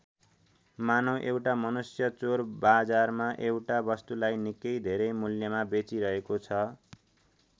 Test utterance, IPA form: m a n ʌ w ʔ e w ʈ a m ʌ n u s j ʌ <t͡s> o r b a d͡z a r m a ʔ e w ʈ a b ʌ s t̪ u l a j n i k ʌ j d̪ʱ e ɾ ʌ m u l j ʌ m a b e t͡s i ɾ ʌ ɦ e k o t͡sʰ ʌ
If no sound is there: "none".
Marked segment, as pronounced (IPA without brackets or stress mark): t͡s